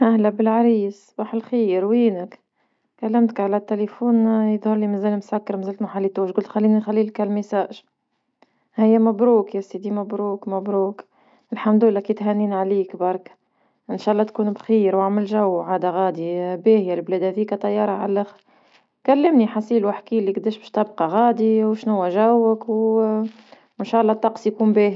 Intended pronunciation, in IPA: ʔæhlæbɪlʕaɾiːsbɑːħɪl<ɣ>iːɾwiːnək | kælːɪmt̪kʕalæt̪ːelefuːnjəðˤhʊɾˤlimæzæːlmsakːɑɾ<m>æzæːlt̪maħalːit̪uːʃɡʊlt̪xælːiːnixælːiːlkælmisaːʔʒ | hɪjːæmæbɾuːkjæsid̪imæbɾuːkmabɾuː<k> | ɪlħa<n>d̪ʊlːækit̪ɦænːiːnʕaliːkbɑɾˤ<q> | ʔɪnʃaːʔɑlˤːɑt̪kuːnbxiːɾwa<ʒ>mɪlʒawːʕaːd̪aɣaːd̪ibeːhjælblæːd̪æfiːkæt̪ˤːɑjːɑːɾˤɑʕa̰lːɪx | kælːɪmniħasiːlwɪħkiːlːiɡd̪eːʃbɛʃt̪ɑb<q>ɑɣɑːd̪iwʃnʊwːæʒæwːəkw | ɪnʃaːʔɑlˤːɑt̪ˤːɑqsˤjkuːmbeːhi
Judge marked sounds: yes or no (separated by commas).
no, yes, yes, no, no, no, yes